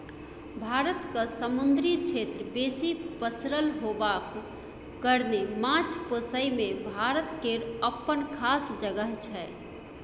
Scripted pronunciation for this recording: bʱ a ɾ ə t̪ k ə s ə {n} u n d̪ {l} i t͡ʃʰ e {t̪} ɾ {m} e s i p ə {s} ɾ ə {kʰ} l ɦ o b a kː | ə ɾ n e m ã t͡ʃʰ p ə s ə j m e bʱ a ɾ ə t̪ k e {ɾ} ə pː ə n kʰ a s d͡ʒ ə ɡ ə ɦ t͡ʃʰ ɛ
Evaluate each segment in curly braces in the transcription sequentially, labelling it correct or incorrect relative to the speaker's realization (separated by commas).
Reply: incorrect, incorrect, correct, incorrect, correct, incorrect, correct